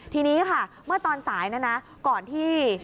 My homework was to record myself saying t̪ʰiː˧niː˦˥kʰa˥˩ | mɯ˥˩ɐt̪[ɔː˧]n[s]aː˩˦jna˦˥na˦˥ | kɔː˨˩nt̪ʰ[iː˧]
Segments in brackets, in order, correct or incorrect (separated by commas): correct, correct, incorrect